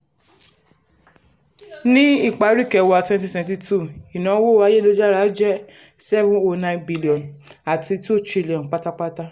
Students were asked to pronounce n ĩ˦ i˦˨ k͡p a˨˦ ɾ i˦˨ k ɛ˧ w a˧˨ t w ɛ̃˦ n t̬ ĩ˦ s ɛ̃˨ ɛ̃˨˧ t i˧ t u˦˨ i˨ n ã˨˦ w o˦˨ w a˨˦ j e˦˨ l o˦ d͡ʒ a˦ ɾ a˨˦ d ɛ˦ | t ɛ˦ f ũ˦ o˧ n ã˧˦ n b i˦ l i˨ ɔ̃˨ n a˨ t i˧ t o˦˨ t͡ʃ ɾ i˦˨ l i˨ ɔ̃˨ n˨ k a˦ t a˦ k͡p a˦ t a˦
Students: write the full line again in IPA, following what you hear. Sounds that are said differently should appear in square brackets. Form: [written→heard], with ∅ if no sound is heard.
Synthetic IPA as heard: n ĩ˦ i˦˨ k͡p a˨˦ ɾ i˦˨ k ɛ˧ w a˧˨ t w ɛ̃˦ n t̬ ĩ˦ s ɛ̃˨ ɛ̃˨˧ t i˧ t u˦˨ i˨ n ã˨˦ w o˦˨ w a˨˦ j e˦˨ l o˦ d͡ʒ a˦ ɾ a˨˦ [d→d͡ʒ] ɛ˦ | [t→s] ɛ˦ [f→v] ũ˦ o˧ n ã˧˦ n b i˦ l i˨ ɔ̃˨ n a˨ t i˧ t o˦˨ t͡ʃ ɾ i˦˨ l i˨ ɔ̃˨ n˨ [k→k͡p] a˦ t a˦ k͡p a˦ t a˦

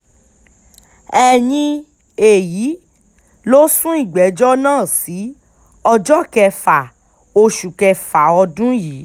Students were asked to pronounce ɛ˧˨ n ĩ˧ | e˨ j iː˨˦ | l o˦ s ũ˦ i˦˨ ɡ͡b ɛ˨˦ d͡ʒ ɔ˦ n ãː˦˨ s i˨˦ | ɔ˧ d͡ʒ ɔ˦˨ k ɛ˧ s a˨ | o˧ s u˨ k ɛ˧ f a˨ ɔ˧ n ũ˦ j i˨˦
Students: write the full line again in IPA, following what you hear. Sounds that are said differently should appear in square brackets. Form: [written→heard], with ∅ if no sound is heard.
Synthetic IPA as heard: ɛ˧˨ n ĩ˧ | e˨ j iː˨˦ | l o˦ s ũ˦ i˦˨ ɡ͡b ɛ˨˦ d͡ʒ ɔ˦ n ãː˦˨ s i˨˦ | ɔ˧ d͡ʒ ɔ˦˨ k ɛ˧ [s→f] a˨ | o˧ [s→ʃ] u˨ k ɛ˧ f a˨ ɔ˧ [n→d] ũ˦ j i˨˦

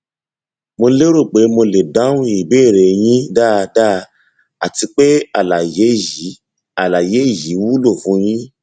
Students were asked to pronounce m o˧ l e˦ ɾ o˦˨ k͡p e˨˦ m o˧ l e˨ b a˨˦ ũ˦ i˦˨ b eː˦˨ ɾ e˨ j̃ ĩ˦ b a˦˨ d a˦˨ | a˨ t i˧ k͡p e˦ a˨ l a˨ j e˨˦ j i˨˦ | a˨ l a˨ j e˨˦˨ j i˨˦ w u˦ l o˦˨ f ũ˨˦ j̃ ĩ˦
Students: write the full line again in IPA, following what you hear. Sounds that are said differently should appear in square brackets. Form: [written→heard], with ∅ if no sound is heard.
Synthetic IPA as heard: m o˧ l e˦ ɾ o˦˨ k͡p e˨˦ m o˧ l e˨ [b→d] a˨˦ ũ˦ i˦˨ b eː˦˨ ɾ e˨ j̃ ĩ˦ [b→d] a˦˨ d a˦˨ | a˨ t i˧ k͡p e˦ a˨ l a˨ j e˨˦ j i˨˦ | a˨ l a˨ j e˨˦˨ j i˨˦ w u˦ l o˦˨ f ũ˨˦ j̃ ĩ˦

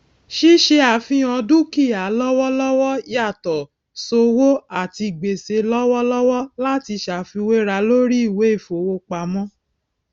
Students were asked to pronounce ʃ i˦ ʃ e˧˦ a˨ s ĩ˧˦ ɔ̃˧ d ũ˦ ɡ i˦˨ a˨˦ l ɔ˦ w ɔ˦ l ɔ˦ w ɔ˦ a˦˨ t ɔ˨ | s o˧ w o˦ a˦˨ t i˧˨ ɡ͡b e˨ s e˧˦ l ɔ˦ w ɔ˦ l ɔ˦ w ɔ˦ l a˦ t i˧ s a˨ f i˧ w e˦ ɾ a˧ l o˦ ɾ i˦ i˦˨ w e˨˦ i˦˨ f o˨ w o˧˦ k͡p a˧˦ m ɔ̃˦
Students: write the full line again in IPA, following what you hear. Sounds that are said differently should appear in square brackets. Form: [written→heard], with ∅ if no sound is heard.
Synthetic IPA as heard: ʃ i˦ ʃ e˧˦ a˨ [s→f] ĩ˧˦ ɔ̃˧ d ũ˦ [ɡ→k] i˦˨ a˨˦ l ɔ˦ w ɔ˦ l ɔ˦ w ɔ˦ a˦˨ t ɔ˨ | s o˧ w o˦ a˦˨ t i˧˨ ɡ͡b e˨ s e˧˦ l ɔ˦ w ɔ˦ l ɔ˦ w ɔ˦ l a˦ t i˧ [s→ʃ] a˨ f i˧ w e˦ ɾ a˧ l o˦ ɾ i˦ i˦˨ w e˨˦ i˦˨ f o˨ w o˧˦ k͡p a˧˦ m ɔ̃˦

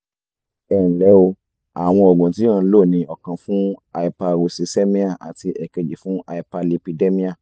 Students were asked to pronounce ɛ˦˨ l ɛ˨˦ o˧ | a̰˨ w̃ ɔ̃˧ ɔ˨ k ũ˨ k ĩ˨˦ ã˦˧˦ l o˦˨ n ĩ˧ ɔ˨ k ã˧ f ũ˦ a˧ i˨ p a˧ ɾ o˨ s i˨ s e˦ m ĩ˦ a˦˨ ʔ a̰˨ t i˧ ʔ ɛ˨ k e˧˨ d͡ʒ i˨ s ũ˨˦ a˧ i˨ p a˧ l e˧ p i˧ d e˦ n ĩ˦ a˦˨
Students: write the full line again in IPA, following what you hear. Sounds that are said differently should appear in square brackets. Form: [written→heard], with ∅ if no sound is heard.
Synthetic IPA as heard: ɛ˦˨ l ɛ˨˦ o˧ | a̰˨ w̃ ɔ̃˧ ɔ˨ [k→ɡ] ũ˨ [k→t] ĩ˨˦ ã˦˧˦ l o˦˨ n ĩ˧ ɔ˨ k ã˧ f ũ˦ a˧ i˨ p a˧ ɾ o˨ s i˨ s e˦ m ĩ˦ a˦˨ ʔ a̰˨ t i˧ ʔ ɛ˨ k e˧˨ d͡ʒ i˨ [s→f] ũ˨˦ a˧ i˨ p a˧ l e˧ p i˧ d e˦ [n→m] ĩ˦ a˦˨

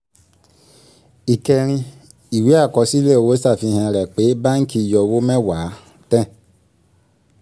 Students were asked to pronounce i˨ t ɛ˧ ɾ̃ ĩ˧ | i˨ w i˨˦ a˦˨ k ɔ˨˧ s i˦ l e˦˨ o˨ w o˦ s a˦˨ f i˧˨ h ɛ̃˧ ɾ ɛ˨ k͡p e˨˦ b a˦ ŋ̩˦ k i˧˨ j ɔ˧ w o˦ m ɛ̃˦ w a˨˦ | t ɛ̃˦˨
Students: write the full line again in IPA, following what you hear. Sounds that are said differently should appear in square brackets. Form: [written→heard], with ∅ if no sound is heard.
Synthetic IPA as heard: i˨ [t→k] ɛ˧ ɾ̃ ĩ˧ | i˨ w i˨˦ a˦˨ k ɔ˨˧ s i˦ l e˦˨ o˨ w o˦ s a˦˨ f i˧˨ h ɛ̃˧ ɾ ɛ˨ k͡p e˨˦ b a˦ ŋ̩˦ k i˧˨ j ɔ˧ w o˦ m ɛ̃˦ w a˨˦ | t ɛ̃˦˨

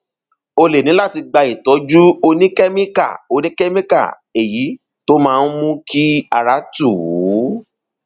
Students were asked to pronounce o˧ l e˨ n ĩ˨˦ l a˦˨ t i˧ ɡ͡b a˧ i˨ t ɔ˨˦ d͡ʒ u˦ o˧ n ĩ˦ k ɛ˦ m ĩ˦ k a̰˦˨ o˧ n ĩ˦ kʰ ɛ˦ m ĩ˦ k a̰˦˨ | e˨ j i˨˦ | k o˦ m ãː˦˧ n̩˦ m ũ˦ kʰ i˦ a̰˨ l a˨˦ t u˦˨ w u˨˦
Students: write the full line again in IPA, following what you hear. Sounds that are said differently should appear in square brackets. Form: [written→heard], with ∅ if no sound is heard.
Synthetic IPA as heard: o˧ l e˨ n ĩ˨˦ l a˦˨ t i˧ ɡ͡b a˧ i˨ t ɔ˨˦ d͡ʒ u˦ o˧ n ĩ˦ k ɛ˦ m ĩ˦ k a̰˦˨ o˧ n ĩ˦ [kʰ→k] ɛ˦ m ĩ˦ k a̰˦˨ | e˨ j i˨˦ | [k→t] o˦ m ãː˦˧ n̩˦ m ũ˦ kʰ i˦ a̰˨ [l→ɾ] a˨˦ t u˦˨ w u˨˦

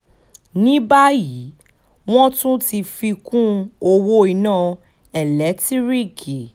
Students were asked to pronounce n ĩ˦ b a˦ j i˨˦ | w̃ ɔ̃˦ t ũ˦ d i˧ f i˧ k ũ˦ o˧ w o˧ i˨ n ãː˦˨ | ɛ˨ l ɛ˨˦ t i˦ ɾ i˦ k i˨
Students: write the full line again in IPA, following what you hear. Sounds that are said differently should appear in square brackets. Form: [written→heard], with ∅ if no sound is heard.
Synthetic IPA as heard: n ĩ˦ b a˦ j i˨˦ | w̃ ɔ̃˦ t ũ˦ [d→t] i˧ f i˧ k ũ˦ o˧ w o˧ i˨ n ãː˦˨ | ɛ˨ l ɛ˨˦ t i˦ ɾ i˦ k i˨

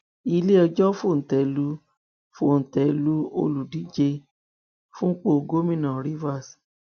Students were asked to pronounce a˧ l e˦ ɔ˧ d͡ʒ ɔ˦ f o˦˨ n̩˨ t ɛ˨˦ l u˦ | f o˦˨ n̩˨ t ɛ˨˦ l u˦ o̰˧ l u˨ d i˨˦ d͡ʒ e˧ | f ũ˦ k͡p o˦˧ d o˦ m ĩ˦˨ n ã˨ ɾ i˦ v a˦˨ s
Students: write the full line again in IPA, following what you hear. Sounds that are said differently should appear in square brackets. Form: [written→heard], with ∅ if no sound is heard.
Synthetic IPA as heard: [a˧→i˧] l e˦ ɔ˧ d͡ʒ ɔ˦ f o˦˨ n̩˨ t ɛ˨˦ l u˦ | f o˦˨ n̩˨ t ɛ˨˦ l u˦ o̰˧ l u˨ d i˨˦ d͡ʒ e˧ | f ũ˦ k͡p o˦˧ [d→ɡ] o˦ m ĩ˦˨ n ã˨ ɾ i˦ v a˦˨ s

